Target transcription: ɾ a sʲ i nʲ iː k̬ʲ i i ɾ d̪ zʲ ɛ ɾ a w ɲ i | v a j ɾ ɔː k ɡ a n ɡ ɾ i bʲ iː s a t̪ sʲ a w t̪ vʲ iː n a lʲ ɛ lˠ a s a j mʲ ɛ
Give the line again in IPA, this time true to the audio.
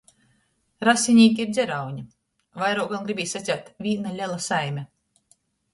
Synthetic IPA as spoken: ɾ a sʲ i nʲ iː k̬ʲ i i ɾ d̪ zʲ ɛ ɾ a w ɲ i | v a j ɾ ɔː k ɡ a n ɡ ɾ i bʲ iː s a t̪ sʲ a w t̪ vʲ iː n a lʲ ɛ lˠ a s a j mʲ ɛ